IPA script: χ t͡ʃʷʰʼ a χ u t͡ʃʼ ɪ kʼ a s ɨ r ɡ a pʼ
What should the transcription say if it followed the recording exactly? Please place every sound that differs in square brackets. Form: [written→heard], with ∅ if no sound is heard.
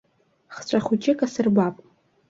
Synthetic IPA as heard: χ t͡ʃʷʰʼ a χ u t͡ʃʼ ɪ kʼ a s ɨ r [ɡ→b] a pʼ